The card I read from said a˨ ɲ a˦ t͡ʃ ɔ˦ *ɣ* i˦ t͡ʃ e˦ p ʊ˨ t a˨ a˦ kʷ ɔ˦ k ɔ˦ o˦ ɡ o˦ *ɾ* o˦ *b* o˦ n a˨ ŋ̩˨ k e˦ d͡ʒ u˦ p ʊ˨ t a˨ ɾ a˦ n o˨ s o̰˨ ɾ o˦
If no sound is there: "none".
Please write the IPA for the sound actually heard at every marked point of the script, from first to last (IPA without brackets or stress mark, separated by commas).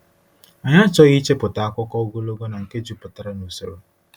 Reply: ɣ, l, ɡ